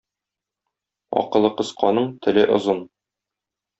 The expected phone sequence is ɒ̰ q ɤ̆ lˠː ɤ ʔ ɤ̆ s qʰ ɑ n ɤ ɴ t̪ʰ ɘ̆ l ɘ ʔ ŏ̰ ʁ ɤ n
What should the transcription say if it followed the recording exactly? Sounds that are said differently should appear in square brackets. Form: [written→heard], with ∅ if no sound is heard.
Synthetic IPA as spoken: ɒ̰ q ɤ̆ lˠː ɤ [ʔ→q] ɤ̆ s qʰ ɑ n ɤ ɴ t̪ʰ ɘ̆ l ɘ ʔ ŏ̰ [ʁ→z] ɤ n